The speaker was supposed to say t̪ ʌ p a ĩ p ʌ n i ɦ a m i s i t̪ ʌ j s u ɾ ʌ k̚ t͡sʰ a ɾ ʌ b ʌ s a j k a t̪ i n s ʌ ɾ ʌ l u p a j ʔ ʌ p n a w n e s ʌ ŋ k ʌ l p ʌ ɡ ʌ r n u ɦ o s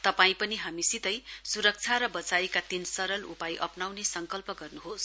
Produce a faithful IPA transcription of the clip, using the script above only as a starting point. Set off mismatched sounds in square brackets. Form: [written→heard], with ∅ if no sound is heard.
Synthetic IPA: t̪ ʌ p a ĩ p ʌ n i ɦ a m i s i t̪ ʌ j s u ɾ ʌ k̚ t͡sʰ a ɾ ʌ b ʌ [s→t͡s] a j k a t̪ i n s ʌ ɾ ʌ l u p a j ʔ ʌ p n a w n e s ʌ ŋ k ʌ l p ʌ ɡ ʌ r n u ɦ o s